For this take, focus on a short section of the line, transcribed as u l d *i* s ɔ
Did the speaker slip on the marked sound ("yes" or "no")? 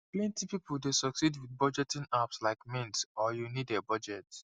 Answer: yes